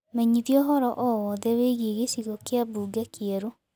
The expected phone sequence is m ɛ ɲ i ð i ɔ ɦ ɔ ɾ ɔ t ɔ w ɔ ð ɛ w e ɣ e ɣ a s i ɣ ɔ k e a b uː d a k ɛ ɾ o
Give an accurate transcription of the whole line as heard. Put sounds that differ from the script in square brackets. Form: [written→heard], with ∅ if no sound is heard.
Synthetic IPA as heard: m ɛ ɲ i ð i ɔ ɦ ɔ ɾ ɔ [t→ʔ] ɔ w ɔ ð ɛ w e ɣ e ɣ [a→e] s i ɣ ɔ k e a b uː [d→ɡ] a k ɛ ɾ o